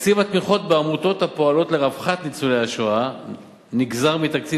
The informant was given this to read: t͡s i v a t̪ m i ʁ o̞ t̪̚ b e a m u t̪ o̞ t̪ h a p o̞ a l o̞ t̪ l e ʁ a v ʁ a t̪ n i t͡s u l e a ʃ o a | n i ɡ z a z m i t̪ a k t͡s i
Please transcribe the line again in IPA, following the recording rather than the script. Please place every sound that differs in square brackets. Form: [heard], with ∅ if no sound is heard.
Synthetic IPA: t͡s i v a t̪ m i [χ] o̞ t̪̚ b e a m u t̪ o̞ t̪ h a p o̞ a l o̞ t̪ l e ʁ a v [χ] a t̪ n i t͡s u l e a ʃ o a | n i ɡ z a [ʁ] m i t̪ a k t͡s i